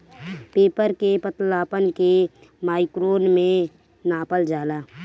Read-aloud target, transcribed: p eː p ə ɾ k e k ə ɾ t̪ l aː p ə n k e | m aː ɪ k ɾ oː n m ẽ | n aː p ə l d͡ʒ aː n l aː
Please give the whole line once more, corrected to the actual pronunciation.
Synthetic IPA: p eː p ə ɾ k e p ə t̪ l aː p ə n k e | m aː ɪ k ɾ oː n m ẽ | n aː p ə l d͡ʒ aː l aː